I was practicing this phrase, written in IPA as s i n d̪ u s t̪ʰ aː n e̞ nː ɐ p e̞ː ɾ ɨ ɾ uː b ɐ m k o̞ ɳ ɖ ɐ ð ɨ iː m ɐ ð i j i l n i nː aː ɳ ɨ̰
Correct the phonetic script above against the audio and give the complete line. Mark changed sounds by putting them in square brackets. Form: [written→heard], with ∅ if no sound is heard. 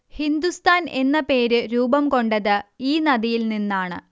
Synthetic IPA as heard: [s→h] i n d̪ u s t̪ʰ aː n e̞ nː ɐ p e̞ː ɾ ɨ ɾ uː b ɐ m k o̞ ɳ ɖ ɐ ð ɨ iː [m→n] ɐ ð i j i l n i nː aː ɳ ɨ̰